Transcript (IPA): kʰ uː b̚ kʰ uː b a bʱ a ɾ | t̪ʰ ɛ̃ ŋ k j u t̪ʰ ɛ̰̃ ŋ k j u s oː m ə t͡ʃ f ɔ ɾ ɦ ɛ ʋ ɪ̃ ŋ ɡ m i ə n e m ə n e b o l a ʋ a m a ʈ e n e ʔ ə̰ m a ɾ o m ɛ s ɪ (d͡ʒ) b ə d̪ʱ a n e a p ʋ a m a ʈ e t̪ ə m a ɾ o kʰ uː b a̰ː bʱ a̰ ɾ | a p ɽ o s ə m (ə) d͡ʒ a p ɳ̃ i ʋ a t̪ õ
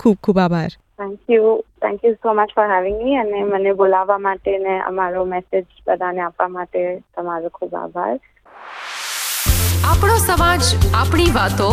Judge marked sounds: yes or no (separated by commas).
yes, no